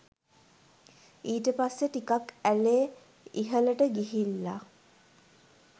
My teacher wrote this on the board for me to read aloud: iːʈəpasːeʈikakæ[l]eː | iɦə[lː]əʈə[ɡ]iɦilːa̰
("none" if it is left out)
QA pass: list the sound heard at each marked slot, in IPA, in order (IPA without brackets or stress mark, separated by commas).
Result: l, l, ɡ